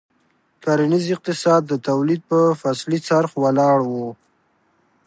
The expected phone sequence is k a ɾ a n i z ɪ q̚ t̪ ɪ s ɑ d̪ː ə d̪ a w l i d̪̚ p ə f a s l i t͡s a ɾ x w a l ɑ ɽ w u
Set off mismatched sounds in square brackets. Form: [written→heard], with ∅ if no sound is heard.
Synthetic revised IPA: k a ɾ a n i z ɪ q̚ t̪ ɪ s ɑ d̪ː ə [d̪→t̪] a w l i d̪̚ p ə f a s l i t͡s a ɾ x w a l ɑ ɽ w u